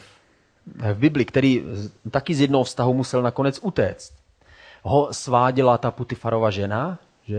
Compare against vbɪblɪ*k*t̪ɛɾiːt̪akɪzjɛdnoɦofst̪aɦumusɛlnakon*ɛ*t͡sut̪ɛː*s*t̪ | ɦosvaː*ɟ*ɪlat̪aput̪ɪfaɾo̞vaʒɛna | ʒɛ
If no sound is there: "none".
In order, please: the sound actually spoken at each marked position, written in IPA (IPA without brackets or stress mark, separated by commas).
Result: k, ɛ, t͡s, ɟ